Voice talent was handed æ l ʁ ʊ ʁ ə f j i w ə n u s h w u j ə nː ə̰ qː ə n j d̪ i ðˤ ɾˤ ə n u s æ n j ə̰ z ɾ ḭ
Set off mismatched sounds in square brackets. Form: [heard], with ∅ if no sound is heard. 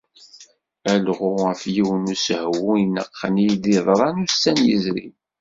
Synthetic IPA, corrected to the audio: æ l ʁ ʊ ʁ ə f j i w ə n u s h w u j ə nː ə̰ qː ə n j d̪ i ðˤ ɾˤ [ɑ] n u s æ n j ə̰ z ɾ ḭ